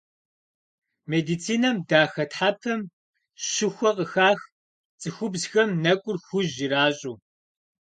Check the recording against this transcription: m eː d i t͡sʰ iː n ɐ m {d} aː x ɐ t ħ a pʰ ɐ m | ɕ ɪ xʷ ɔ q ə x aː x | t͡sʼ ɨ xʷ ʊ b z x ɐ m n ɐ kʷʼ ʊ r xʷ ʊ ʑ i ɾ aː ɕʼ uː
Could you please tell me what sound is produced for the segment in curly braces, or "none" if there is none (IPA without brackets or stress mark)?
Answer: d